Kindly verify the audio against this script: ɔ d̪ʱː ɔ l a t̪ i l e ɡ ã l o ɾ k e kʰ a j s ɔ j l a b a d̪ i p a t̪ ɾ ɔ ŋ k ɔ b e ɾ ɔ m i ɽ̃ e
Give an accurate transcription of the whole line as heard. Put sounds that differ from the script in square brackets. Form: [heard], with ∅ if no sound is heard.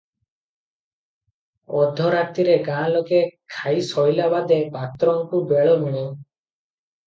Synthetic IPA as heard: ɔ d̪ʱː ɔ [ɾ] a t̪ i [ɾ] e ɡ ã l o [∅] k e kʰ a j s ɔ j l a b a d̪ [e] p a t̪ ɾ ɔ ŋ k [u] b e [ɭ] ɔ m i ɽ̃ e